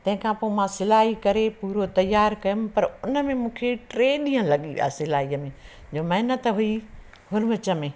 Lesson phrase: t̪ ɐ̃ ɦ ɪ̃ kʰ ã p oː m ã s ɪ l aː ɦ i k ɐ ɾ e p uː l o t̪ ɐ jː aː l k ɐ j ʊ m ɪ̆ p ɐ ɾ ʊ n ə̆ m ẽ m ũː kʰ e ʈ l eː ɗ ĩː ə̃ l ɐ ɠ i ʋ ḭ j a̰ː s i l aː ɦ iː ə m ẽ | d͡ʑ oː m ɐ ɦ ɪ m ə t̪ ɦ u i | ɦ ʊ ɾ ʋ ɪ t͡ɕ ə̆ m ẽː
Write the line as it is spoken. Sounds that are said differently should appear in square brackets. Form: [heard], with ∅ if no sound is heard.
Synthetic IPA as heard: t̪ ɐ̃ ɦ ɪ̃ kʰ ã p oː m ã s ɪ l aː ɦ i k ɐ ɾ e p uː [ɾ] o t̪ ɐ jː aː [ɾ] k ɐ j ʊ m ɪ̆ p ɐ ɾ ʊ n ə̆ m ẽ m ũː kʰ e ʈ [ɾ] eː ɗ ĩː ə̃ l ɐ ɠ i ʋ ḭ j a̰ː s [ɪ] l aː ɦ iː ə m ẽ | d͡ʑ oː m ɐ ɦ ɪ [n] ə t̪ ɦ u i | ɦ ʊ ɾ ʋ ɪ t͡ɕ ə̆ m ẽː